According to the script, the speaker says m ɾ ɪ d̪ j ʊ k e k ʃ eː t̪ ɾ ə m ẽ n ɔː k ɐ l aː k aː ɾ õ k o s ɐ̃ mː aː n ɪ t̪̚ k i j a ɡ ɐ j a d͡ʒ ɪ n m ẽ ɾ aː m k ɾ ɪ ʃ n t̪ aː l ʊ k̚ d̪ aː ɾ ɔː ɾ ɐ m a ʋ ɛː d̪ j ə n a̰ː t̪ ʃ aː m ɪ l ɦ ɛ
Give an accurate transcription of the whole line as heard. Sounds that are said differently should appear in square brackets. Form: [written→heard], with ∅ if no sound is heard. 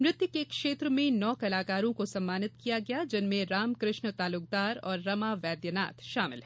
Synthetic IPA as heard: m ɾ ɪ [d̪→t̪] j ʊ k e k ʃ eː t̪ ɾ ə m ẽ n ɔː k ɐ l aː k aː ɾ õ k o s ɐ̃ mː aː n ɪ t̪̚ k i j a ɡ ɐ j a d͡ʒ ɪ n m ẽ ɾ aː m k ɾ ɪ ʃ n t̪ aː l ʊ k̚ d̪ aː ɾ ɔː [ɾ→ɾː] ɐ m a ʋ ɛː d̪ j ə n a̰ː t̪ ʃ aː m ɪ l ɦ ɛ

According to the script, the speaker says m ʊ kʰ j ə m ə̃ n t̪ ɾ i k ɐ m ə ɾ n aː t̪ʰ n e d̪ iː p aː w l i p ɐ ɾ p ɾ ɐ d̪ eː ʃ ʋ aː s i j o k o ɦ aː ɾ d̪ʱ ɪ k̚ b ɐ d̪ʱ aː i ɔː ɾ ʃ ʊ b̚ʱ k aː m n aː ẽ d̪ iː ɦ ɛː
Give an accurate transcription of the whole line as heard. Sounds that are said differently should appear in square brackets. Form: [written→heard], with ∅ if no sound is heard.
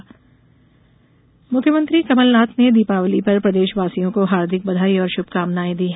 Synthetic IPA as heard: m ʊ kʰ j ə m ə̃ n t̪ ɾ i k ɐ m ə [ɾ→l] n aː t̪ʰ n e d̪ iː p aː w l i p ɐ ɾ p ɾ ɐ d̪ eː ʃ ʋ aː s i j [o→õ] k o ɦ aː ɾ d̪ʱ ɪ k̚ b ɐ d̪ʱ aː i ɔː ɾ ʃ ʊ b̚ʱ k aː m n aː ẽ d̪ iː ɦ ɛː

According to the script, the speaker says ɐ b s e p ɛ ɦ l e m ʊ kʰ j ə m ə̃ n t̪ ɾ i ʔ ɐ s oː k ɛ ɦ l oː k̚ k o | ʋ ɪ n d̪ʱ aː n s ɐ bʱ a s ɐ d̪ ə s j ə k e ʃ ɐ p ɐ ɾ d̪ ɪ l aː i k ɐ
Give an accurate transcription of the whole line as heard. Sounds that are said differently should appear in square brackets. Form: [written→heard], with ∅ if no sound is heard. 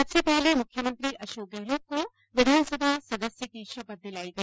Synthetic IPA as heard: ɐ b s e p ɛ ɦ l e m ʊ kʰ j ə m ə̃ n t̪ ɾ i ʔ ɐ [s→ʃ] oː k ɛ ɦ l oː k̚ k o | ʋ ɪ [n→∅] d̪ʱ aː n s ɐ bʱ a s ɐ d̪ ə s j ə k [e→i] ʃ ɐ p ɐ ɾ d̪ ɪ l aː i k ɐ

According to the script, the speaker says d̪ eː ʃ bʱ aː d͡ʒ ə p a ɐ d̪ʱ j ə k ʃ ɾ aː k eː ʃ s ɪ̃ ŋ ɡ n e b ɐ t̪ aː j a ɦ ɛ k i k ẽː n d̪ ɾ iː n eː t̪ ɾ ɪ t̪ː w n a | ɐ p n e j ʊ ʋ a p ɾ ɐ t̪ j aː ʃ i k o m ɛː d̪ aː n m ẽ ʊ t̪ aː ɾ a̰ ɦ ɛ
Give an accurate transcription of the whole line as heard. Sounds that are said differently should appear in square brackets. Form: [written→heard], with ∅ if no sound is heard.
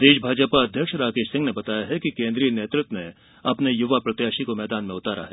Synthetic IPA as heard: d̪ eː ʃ bʱ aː d͡ʒ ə p a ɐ d̪ʱ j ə k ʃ ɾ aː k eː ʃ s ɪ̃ ŋ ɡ n e b ɐ t̪ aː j a ɦ ɛ k i k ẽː n d̪ ɾ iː n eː t̪ ɾ ɪ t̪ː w n [a→e] | ɐ p n e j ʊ ʋ a p ɾ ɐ t̪ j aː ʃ i k o m ɛː d̪ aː n m ẽ ʊ t̪ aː ɾ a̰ ɦ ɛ

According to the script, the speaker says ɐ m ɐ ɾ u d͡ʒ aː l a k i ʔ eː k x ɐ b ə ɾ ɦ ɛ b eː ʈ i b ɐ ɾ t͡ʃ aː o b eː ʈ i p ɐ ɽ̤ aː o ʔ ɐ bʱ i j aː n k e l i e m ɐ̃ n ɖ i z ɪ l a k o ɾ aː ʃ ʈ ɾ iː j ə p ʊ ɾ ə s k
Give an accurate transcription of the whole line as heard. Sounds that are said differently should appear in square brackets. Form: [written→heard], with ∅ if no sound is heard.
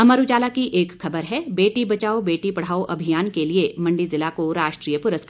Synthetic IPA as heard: ɐ m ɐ ɾ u d͡ʒ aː l a k i ʔ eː k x ɐ b ə ɾ ɦ ɛ b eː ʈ i b ɐ [ɾ→∅] t͡ʃ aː o b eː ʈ i p ɐ ɽ̤ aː o ʔ ɐ bʱ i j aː n k e l i e m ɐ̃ [n→ɳ] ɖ i z ɪ l a k o ɾ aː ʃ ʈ ɾ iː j ə p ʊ ɾ ə s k

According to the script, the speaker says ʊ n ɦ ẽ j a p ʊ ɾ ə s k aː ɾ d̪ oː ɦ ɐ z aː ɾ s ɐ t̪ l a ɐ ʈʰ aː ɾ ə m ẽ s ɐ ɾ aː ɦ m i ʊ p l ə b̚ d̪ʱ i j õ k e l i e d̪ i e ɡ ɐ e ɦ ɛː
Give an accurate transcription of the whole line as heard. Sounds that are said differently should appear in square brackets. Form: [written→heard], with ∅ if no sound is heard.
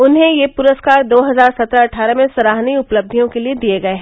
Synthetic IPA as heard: ʊ n ɦ ẽ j [a→e] p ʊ ɾ ə s k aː ɾ d̪ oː ɦ ɐ z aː ɾ s ɐ t̪ [l→ɾ] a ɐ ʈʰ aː ɾ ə m ẽ s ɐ ɾ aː ɦ [m→n] i ʊ p l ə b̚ d̪ʱ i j õ k e l i e d̪ i e ɡ ɐ e ɦ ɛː

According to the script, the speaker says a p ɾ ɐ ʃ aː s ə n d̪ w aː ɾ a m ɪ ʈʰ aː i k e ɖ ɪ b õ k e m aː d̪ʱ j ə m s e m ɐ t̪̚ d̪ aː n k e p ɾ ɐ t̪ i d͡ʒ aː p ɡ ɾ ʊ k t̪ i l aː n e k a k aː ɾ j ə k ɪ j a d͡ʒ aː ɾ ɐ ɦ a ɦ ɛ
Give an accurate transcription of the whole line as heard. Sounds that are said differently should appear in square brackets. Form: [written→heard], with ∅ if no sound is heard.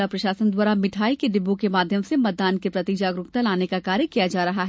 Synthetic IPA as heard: a p ɾ ɐ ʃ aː s ə n d̪ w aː ɾ a m ɪ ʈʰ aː i k e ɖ ɪ b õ k e m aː d̪ʱ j ə m s e m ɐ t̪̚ d̪ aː n k e p ɾ ɐ t̪ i d͡ʒ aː [p→∅] ɡ ɾ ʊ k t̪ [i→a] l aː n e k a k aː ɾ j ə k [ɪ→i] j a d͡ʒ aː ɾ ɐ ɦ a ɦ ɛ

